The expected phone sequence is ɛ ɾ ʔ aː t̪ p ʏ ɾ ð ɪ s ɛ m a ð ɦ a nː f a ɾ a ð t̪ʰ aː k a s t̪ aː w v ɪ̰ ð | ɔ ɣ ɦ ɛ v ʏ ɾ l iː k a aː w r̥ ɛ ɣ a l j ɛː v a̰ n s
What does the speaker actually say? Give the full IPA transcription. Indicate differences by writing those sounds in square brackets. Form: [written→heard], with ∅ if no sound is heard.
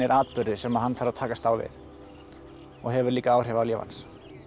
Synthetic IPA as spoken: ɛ ɾ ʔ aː t̪ p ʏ ɾ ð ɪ s ɛ m a ð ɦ a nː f a ɾ a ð t̪ʰ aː k a s t̪ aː w v ɪ̰ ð | ɔ ɣ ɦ ɛ v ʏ ɾ l iː k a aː w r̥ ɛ [ɣ→v] a l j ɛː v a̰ n s